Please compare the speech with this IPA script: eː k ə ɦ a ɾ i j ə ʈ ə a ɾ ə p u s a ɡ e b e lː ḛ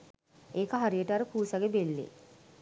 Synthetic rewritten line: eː k ə ɦ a ɾ i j ə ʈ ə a ɾ ə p uː s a ɡ e b e lː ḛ

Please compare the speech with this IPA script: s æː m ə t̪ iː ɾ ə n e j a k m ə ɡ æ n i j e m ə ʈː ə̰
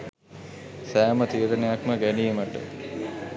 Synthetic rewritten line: s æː m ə t̪ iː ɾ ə n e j a k m ə ɡ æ n i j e m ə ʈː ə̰

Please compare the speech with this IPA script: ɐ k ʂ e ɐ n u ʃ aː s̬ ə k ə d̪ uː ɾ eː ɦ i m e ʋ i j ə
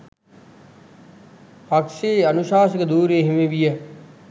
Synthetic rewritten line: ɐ k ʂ e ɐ n u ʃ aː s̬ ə k ə d̪ uː ɾ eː ɦ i m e ʋ i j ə

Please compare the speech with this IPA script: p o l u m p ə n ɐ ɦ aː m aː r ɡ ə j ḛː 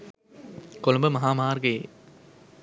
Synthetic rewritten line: k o l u m b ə m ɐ ɦ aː m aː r ɡ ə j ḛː

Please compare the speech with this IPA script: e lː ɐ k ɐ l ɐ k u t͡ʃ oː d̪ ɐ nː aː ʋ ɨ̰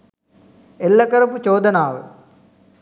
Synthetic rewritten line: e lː ɐ k ɐ ɾ ɐ p u t͡ʃ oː d̪ ɐ n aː ʋ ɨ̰

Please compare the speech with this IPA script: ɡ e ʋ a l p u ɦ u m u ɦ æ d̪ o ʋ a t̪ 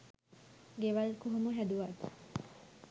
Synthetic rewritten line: ɡ e ʋ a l k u ɦ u m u ɦ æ d̪ u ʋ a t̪

